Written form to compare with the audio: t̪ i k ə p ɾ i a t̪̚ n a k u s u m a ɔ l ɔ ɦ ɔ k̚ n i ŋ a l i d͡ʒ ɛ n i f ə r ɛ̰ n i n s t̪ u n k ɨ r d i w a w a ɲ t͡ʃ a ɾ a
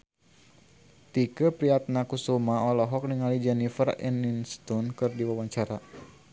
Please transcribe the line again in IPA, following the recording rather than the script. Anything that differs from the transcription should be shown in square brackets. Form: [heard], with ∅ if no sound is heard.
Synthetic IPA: t̪ i k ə p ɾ i a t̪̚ n a k u s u m a ɔ l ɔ ɦ ɔ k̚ n i ŋ a l i d͡ʒ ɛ n i f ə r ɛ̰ n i n s t̪ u n k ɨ r d i w a w a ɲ t͡ʃ a ɾ a